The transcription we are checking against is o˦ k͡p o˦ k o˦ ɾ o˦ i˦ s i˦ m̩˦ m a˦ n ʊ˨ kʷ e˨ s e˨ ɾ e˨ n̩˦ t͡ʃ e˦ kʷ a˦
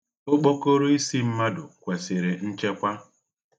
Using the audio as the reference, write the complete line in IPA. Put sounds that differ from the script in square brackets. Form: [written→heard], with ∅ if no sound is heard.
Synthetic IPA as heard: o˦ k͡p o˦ k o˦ ɾ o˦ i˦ s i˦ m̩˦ m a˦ [n→d] ʊ˨ kʷ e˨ s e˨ ɾ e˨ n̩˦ t͡ʃ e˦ kʷ a˦